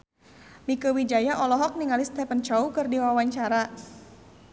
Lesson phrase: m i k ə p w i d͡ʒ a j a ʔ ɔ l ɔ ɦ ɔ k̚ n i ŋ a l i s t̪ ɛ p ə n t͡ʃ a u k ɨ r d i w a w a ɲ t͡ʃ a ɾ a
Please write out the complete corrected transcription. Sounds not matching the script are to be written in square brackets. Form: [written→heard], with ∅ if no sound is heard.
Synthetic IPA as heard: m i k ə [p→∅] w i d͡ʒ a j a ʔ ɔ l ɔ ɦ ɔ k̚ n i ŋ a l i s t̪ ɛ p ə n t͡ʃ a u k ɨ r d i w a w a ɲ t͡ʃ a ɾ a